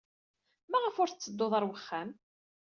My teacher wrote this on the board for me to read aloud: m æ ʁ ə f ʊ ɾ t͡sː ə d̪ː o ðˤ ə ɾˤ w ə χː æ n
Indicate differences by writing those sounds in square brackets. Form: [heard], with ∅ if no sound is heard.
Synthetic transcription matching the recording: m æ ʁ ə f ʊ ɾ t͡sː ə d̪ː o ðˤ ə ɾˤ w ə χː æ [m]